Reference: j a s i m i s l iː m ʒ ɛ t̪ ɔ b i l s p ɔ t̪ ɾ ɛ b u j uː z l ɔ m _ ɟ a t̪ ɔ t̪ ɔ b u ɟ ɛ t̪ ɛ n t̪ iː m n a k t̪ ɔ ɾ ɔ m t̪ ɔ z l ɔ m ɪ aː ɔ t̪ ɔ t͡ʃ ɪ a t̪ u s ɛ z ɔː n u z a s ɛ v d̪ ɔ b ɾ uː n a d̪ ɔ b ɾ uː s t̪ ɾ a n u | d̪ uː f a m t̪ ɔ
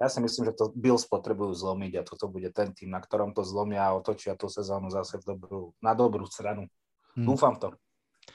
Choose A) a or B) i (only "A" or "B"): B